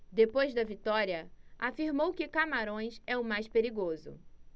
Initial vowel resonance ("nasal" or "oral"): oral